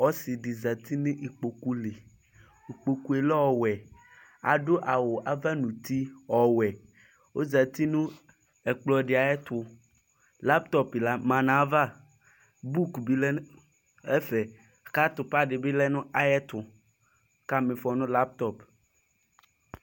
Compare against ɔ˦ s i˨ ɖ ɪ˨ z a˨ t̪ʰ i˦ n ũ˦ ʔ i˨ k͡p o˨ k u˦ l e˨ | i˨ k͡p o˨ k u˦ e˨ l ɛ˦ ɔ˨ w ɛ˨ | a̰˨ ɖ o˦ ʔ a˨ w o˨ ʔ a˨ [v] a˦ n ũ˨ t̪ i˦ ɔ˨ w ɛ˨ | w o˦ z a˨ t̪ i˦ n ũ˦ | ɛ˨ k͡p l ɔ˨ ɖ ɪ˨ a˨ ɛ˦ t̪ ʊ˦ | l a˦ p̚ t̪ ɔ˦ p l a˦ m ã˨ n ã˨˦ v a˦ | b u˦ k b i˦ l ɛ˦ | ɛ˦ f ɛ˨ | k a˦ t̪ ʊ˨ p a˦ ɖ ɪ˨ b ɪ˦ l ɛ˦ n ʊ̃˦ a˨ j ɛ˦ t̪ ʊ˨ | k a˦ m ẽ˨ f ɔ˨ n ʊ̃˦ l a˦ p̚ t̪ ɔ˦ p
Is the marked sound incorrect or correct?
correct